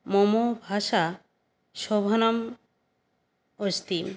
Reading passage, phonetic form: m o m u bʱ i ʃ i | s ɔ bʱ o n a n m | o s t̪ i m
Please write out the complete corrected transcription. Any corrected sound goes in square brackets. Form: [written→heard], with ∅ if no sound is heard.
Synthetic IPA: m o m [u→o] bʱ [i→a] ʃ [i→a] | [s→ʃ] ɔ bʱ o n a [n→∅] m | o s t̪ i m